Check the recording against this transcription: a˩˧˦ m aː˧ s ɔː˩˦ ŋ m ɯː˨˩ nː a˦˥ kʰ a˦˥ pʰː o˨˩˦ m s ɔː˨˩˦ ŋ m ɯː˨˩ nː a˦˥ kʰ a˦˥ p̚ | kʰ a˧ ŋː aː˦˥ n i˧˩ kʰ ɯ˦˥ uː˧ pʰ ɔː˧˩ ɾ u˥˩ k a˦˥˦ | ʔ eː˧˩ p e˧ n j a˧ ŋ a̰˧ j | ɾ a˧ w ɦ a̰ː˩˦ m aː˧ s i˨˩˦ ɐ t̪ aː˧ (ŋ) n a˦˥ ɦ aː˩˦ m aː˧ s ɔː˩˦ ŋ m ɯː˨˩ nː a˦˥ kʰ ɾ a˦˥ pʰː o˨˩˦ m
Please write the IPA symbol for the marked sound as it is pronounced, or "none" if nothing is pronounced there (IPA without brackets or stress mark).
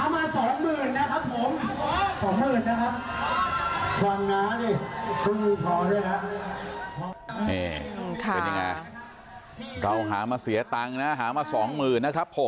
ŋ